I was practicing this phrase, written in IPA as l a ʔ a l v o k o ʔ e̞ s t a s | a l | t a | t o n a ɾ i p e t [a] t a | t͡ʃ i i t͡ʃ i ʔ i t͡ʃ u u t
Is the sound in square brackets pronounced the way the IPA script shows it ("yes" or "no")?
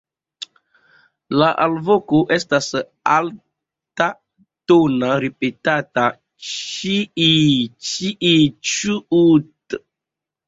yes